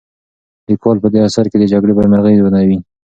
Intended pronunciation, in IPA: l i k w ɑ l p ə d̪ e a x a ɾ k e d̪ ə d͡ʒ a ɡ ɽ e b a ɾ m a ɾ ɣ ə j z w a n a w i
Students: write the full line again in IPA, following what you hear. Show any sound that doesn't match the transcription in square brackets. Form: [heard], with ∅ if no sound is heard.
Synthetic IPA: l i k w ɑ l p ə d̪ e a [s] a ɾ k e d̪ ə d͡ʒ a ɡ ɽ e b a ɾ m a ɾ ɣ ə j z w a n a w i